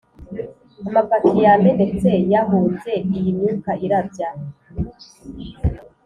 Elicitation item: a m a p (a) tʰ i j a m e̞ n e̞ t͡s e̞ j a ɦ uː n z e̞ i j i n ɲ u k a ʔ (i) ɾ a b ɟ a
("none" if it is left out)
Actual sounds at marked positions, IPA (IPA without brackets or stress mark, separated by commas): a, i